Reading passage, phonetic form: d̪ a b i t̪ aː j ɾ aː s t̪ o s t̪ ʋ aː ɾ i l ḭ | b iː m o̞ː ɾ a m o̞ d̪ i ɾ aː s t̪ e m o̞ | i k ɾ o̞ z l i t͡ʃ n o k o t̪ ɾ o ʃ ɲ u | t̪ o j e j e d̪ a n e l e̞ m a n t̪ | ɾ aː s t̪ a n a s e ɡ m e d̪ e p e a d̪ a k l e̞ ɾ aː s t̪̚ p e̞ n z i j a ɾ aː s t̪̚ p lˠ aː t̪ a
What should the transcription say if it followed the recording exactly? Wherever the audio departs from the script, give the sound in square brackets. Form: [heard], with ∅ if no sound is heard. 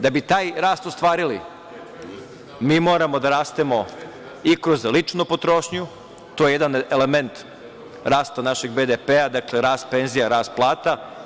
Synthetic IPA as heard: d̪ a b i t̪ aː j ɾ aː s t̪ o s t̪ ʋ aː ɾ i l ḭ | [m] iː m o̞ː ɾ a m o̞ d̪ [a] ɾ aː s t̪ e m o̞ | i k ɾ o̞ z l i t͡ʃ n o [p] o t̪ ɾ o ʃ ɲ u | t̪ o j e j e d̪ a n e l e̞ m [e] n t̪ | ɾ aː s t̪ a n a [ʃ] e ɡ [b] e d̪ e p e a d̪ a k l e̞ ɾ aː s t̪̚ p e̞ n z i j a ɾ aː s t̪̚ p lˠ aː t̪ a

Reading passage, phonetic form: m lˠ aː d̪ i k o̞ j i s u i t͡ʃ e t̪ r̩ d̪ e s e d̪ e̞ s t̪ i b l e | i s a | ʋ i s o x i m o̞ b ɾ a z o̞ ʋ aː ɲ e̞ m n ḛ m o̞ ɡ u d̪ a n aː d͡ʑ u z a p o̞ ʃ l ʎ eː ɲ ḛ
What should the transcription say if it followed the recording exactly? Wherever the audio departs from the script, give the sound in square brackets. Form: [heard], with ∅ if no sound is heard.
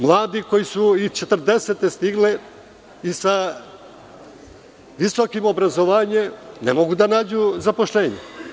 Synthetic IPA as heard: m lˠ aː d̪ i k o̞ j i s u i t͡ʃ e t̪ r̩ d̪ e s e [t̪] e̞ s t̪ i [ɡ] l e | i s a | ʋ i s o [k] i m o̞ b ɾ a z o̞ ʋ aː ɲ e̞ m n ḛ m o̞ ɡ u d̪ a n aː d͡ʑ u z a p o̞ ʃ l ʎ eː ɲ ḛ

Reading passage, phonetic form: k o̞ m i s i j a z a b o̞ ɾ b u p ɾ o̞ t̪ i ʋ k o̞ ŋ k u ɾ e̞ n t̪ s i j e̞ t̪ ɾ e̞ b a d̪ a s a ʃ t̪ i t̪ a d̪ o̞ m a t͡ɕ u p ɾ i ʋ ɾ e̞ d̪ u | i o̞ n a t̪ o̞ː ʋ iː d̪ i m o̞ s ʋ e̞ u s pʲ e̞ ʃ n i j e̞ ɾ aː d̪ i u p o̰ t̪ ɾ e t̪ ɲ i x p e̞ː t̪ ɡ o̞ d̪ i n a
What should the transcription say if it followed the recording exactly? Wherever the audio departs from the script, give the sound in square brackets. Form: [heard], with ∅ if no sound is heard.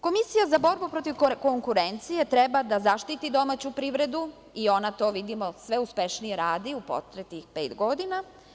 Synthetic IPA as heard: k o̞ m i s i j a z a b o̞ ɾ b u p ɾ o̞ t̪ i ʋ k o̞ ŋ k u ɾ e̞ n t̪ s i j e̞ t̪ ɾ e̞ b a d̪ a [z] a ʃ t̪ i t̪ [i] d̪ o̞ m a t͡ɕ u p ɾ i ʋ ɾ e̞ d̪ u | i o̞ n a t̪ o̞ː ʋ [i] d̪ i m o̞ s ʋ e̞ u s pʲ e̞ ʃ n i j e̞ ɾ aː d̪ i u p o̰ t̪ ɾ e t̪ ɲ i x p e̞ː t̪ ɡ o̞ d̪ i n a

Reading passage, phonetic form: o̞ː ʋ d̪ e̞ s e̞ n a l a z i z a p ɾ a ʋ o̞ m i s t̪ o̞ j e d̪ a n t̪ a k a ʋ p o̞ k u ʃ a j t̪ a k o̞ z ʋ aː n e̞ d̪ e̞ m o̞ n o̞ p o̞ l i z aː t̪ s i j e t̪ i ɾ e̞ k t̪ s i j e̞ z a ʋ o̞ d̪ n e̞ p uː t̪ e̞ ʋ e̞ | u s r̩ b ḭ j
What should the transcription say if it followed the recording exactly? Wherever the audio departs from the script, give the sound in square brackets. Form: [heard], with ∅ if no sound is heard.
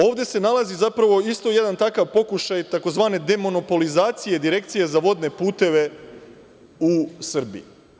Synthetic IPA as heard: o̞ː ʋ d̪ e̞ s e̞ n a l a z i z a p ɾ a ʋ o̞ [∅] i s t̪ o̞ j e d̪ a n t̪ a k a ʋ p o̞ k u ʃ a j t̪ a k o̞ z ʋ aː n e̞ d̪ e̞ m o̞ n o̞ p o̞ l i z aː t̪ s i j e [d̪] i ɾ e̞ k t̪ s i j e̞ z a ʋ o̞ d̪ n e̞ p uː t̪ e̞ ʋ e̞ | u s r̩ b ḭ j

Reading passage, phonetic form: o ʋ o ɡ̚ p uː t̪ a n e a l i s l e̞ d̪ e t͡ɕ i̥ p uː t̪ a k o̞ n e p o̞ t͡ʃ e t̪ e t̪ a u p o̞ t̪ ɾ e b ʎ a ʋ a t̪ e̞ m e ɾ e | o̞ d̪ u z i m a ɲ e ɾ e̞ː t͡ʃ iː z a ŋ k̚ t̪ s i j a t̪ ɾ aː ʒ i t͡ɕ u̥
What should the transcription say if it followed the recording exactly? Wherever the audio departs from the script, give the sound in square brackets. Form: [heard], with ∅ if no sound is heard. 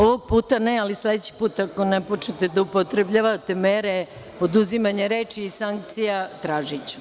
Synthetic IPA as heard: o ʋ o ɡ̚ p uː t̪ a n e a l i s l e̞ d̪ e t͡ɕ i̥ p uː t̪ a k o̞ n e p o̞ t͡ʃ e t̪ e [d̪] a u p o̞ t̪ ɾ e b ʎ a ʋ a t̪ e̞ m e ɾ e | o̞ d̪ u z i m a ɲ e ɾ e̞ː t͡ʃ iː [s] a ŋ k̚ t̪ s i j a t̪ ɾ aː ʒ i t͡ɕ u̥

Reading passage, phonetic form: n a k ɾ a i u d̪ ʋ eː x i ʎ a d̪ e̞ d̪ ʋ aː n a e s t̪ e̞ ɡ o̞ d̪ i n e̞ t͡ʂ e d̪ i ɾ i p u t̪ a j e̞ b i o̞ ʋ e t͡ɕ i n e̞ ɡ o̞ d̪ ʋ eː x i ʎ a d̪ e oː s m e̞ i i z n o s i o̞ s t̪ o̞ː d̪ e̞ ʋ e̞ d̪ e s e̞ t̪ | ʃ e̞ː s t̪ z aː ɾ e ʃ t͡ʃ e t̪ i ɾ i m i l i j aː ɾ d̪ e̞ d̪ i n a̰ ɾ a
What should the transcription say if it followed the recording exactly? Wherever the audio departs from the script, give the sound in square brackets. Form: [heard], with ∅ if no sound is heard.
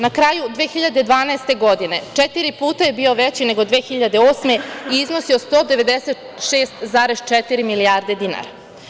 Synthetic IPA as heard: n a k ɾ a [j] u d̪ ʋ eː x i ʎ a d̪ e̞ d̪ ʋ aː n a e s t̪ e̞ ɡ o̞ d̪ i n e̞ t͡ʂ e [t̪] i ɾ i p [uː] t̪ a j e̞ b i o̞ ʋ e t͡ɕ i n e̞ ɡ o̞ d̪ ʋ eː x i ʎ a d̪ e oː s m e̞ i i z n o s i o̞ s t̪ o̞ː d̪ e̞ ʋ e̞ d̪ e s e̞ t̪ | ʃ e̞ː s t̪ z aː ɾ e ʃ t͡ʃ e t̪ i ɾ i m i l i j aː ɾ d̪ e̞ d̪ i n a̰ ɾ a

